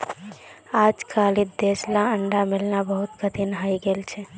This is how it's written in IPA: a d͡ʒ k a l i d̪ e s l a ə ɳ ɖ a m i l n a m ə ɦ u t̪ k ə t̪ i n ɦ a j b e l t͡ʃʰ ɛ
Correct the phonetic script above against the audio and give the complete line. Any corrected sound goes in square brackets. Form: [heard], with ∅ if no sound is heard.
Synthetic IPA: a d͡ʒ k a l i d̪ e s l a ə ɳ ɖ a m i l n a [b] ə ɦ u t̪ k ə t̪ i n ɦ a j [ɡ] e l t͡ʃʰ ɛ